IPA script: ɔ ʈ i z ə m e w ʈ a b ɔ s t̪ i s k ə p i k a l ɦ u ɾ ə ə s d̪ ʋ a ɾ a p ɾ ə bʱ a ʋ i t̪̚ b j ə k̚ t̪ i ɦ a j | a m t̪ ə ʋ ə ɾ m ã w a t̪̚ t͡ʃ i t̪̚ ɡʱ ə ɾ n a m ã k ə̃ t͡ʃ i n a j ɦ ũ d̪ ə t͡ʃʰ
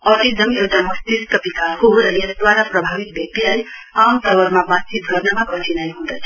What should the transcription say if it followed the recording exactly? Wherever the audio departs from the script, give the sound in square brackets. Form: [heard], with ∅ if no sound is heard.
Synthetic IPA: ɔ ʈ i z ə m e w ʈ a [m] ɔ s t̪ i s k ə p i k a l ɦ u ɾ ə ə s d̪ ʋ a ɾ a p ɾ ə bʱ a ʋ i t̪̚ b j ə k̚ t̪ i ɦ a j | a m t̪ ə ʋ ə ɾ m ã [b] a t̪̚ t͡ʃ i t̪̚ ɡʱ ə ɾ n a m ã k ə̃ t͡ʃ i n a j ɦ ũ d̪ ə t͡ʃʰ